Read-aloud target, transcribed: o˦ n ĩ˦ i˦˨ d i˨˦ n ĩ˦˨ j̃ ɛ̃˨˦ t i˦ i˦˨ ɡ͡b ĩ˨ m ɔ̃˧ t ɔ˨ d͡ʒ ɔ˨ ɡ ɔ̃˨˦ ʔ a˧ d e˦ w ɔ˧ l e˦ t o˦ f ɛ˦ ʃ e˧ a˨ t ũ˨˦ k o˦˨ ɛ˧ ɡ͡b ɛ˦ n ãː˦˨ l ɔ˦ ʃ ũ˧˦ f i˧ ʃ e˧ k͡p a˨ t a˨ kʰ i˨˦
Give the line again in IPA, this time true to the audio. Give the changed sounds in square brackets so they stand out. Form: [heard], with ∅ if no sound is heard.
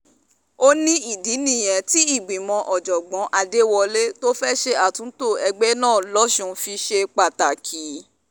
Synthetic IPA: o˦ n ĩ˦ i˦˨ d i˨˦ n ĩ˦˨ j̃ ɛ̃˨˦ t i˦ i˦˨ ɡ͡b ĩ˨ m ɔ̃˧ [ʔ] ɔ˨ d͡ʒ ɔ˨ [ɡ͡b] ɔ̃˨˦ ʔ a˧ d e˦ w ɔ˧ l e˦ t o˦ f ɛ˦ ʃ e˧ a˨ t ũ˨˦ [t] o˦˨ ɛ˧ ɡ͡b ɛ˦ n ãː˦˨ l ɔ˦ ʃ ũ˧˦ f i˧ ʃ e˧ k͡p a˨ t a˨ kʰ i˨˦